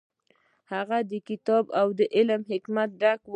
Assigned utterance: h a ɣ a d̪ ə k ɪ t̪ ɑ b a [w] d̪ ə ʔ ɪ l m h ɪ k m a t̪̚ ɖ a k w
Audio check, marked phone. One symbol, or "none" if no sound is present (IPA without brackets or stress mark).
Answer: w